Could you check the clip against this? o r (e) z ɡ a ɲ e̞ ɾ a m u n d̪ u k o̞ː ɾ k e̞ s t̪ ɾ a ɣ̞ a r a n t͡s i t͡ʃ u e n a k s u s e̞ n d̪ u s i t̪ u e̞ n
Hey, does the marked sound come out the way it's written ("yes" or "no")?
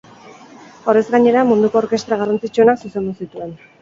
yes